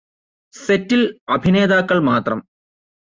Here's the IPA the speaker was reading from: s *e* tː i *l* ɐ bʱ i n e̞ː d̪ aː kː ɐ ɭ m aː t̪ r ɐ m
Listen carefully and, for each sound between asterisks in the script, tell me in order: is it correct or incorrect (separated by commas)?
correct, correct